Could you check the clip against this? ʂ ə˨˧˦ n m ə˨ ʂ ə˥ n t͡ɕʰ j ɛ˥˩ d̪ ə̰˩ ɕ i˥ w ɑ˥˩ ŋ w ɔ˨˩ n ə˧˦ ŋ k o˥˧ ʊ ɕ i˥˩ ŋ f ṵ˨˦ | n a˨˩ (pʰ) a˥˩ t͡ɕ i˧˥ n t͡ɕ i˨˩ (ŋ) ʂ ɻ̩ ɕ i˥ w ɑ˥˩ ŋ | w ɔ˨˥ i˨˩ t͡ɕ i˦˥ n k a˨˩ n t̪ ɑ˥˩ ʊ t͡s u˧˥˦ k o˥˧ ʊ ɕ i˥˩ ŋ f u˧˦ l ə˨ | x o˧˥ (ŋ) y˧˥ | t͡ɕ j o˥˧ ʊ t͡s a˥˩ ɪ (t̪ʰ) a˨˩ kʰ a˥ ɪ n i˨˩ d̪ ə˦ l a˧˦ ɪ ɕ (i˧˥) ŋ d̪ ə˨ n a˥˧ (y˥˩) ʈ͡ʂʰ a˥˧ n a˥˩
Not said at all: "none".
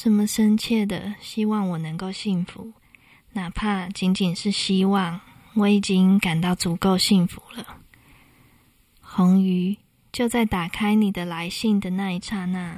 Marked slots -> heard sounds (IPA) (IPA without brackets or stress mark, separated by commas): pʰ, n, ŋ, t̪, i˥˩, i˥˩